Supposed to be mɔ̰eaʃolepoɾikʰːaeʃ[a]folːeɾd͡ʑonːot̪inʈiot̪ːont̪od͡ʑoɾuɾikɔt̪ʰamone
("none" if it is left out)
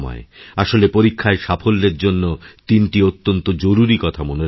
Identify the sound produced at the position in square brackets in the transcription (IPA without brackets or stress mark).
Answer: a